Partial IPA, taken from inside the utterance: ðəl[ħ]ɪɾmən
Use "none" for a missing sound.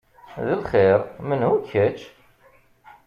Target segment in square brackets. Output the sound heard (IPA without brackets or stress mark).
χ